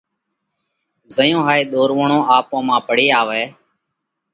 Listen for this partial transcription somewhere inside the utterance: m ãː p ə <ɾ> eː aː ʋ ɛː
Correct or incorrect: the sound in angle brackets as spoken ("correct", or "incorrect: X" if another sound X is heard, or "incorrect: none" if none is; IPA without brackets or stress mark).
incorrect: ɽ